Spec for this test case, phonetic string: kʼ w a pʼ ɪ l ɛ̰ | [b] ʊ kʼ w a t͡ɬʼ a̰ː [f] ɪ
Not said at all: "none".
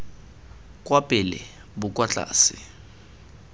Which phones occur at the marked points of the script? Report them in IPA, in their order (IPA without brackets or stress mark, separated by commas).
b, s